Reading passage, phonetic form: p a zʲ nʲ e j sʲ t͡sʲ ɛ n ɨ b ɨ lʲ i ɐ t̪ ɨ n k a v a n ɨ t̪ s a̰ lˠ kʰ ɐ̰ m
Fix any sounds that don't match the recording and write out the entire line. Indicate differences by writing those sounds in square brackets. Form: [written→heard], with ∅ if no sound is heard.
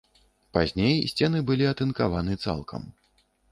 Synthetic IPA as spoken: p a zʲ nʲ e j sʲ t͡sʲ ɛ n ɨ b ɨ lʲ i ɐ t̪ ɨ n k a v a n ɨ t̪ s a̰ lˠ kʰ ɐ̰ m